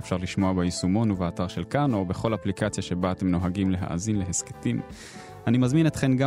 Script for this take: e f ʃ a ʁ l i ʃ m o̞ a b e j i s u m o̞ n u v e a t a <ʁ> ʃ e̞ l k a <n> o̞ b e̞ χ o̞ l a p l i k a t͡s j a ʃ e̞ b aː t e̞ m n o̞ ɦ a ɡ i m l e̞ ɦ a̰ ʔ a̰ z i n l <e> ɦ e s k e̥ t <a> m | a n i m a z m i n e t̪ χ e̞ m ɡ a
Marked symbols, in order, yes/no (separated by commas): yes, yes, yes, no